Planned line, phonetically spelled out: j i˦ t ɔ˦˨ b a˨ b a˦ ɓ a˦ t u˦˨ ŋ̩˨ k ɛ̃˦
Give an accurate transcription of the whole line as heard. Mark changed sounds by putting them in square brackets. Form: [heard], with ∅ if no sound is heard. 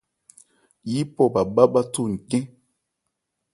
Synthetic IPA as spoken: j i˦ [p] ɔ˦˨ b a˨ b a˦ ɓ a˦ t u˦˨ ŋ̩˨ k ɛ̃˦